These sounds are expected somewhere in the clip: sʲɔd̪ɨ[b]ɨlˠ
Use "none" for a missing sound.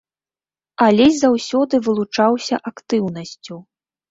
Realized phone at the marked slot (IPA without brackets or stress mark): v